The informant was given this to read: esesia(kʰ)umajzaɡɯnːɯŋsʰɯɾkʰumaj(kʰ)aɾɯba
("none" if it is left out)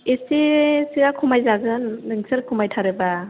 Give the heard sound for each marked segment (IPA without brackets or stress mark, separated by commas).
kʰ, tʰ